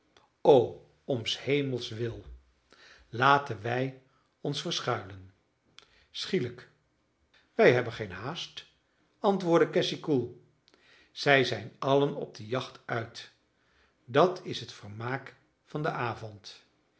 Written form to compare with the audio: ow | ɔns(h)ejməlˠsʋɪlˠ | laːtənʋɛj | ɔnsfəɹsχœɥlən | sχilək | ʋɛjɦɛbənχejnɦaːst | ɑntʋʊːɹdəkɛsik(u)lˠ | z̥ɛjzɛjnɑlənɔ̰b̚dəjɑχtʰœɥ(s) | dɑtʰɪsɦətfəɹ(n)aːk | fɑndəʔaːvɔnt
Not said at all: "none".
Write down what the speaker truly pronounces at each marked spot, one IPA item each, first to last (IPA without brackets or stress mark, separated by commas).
h, u, t, m